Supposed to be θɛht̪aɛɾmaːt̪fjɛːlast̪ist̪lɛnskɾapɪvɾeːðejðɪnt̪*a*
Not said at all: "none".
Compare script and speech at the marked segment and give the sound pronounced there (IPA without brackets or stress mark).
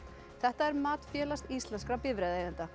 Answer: a